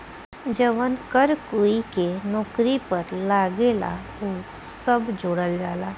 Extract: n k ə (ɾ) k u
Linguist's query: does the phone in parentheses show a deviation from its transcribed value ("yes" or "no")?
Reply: no